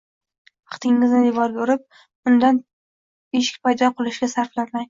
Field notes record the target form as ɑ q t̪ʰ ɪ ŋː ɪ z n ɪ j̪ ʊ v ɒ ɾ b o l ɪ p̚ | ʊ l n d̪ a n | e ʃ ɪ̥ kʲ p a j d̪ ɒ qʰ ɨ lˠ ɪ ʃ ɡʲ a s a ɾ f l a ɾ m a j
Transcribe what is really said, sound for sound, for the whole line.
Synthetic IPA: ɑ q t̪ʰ ɪ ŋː ɪ z n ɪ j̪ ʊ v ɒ ɾ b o ɾ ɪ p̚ | ʊ n d̪ a n | e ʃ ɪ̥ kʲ p a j d̪ ɒ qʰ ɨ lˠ ɪ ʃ ɡʲ a s a ɾ f l a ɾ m a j

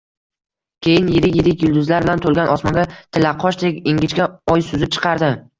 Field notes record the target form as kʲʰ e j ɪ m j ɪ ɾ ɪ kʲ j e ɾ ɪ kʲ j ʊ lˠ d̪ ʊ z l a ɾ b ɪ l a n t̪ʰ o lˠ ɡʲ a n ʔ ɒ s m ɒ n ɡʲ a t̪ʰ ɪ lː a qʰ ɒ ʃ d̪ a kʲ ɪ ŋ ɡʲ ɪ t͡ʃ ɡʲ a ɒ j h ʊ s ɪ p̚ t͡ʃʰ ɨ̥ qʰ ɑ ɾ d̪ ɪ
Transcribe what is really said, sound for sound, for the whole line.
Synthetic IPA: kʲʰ e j ɪ n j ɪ ɾ ɪ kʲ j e ɾ ɪ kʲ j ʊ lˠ d̪ ʊ z l a ɾ b ɪ l a n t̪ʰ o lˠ ɡʲ a n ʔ ɒ s m ɒ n ɡʲ a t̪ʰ ɪ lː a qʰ ɒ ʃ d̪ e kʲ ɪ ŋ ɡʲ ɪ t͡ʃ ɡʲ a ɒ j s ʊ z ɪ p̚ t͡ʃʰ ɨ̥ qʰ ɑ ɾ d̪ ɪ

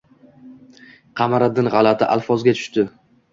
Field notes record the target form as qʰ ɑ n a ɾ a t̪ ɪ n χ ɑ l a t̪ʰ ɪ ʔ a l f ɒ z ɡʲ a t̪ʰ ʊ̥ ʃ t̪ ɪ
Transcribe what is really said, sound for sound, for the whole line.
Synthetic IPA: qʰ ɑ m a ɾ a d̪ ɪ n ʁ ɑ l a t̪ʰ ɪ ʔ a l f ɒ z ɡʲ a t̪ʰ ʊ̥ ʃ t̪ ɪ

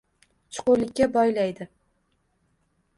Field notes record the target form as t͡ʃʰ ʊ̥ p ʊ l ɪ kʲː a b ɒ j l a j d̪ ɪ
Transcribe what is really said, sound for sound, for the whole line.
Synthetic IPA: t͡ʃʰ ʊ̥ q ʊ l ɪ kʲː a b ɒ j l a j d̪ ɪ

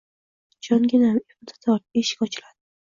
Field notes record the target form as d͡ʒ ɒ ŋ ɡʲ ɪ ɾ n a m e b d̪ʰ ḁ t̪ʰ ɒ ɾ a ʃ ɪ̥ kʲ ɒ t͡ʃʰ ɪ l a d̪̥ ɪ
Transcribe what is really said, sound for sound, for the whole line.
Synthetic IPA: d͡ʒ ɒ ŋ ɡʲ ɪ n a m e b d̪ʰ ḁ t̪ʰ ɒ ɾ e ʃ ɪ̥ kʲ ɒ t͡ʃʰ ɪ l a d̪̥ ɪ

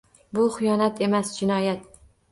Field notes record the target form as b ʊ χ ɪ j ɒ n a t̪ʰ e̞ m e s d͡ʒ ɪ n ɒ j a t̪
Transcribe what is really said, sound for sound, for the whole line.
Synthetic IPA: b ʊ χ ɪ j ɒ n a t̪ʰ e̞ m a s d͡ʒ ɪ n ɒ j a t̪

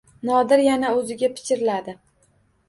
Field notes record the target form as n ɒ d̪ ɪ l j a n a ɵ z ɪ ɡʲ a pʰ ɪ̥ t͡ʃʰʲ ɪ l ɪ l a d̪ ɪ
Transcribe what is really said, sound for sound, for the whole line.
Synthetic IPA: n ɒ d̪ ɪ ɾ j a n a ɵ z ɪ ɡʲ a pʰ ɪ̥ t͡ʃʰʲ ɪ ɾ ɪ l a d̪ ɪ

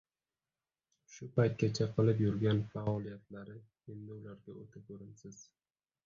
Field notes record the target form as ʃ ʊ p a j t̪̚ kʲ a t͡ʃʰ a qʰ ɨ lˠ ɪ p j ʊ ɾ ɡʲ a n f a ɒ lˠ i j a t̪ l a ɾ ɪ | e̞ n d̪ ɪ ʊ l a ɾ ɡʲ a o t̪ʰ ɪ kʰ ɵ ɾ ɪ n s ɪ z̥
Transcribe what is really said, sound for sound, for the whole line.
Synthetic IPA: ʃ ʊ p a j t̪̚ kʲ a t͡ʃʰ a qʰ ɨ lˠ ɪ p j ʊ ɾ ɡʲ a n f a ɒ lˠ i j a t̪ l a ɾ ɪ | e̞ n d̪ ɪ ʊ l a ɾ ɡʲ a o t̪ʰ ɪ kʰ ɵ ɾ ɪ n s ɪ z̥

